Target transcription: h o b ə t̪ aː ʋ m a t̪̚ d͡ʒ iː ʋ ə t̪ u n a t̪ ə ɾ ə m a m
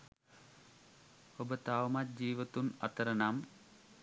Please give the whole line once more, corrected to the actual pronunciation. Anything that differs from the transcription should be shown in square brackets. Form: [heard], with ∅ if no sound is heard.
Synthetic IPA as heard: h o b ə t̪ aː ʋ m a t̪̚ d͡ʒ iː ʋ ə t̪ u n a t̪ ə ɾ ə [n] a m